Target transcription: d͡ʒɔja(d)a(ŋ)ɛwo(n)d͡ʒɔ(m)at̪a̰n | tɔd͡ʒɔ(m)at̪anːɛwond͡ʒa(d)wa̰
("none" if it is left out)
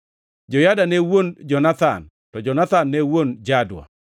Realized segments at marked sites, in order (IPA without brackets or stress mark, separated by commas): d, n, n, n, n, d